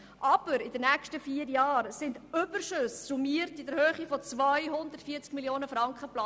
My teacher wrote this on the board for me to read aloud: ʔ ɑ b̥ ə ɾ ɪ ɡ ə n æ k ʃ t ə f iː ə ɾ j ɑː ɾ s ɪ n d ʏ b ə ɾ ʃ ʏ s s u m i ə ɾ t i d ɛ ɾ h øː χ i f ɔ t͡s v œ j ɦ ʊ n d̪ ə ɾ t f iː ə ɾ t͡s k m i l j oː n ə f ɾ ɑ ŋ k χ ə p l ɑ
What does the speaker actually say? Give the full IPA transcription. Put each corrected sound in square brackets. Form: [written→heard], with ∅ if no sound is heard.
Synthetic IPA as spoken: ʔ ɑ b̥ ə ɾ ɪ [ɡ→d] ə n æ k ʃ t ə f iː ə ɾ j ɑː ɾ s ɪ n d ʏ b ə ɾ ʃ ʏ s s u m i ə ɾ t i d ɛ ɾ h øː χ i f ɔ t͡s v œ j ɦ ʊ n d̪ ə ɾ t f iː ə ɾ t͡s k m i l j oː n ə f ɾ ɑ ŋ k χ ə p l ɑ